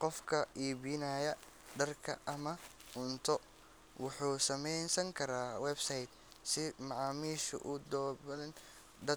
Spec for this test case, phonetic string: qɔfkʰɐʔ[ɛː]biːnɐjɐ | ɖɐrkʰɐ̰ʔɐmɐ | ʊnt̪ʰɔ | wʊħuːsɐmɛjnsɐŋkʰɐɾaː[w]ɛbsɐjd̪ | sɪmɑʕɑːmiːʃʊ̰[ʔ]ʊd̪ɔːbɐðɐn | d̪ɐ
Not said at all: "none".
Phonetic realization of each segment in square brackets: iː, w, ʔ

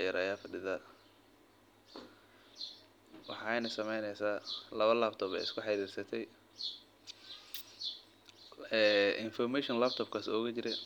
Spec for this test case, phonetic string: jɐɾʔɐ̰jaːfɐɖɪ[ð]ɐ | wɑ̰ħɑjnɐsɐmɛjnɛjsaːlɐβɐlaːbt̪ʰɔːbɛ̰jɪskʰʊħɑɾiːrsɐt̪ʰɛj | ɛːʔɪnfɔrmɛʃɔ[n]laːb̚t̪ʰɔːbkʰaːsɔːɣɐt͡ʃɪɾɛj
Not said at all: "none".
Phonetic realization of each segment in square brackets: ð, n

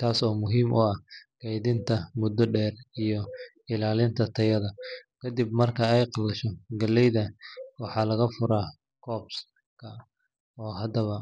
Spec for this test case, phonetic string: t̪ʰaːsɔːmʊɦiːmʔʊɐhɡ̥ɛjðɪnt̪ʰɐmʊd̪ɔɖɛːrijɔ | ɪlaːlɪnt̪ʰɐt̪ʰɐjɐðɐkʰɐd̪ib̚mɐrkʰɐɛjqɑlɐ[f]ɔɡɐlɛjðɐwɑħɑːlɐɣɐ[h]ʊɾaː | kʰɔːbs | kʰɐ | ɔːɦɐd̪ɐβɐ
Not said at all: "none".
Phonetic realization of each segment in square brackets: ʃ, f

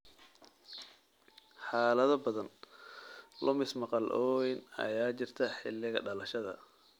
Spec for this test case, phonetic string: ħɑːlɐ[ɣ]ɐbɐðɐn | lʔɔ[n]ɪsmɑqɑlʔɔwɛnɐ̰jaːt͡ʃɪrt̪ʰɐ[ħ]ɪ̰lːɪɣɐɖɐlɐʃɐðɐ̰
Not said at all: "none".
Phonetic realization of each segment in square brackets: ð, m, ħ

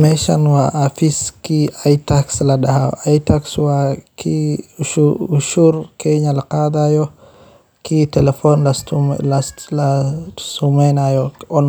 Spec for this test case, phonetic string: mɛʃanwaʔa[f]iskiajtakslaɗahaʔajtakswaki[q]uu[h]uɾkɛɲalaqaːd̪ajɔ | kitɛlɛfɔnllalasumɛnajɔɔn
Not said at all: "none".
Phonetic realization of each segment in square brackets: f, none, ʃ

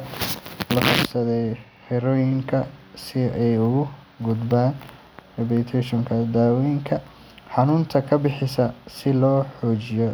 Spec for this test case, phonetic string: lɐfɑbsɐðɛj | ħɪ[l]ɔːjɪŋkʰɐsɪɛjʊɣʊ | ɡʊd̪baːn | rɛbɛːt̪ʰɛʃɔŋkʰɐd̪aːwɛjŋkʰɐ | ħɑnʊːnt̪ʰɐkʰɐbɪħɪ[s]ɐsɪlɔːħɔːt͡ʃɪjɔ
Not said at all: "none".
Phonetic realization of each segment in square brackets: ɾ, s

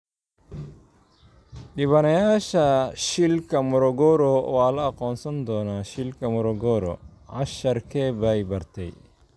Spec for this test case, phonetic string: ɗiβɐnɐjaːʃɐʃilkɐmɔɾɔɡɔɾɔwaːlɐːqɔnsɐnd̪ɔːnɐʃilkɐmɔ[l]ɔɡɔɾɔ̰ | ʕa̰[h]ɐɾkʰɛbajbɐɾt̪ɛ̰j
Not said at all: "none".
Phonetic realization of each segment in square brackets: ɾ, ʃ

